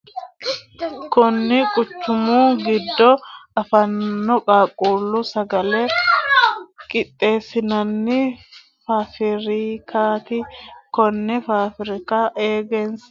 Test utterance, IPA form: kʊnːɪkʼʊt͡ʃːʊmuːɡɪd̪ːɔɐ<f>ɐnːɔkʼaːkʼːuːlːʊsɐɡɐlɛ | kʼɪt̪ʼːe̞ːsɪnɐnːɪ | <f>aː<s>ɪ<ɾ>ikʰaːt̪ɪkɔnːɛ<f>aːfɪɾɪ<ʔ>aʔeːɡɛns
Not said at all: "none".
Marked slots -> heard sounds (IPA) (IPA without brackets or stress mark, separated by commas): f, f, f, ɾ, f, k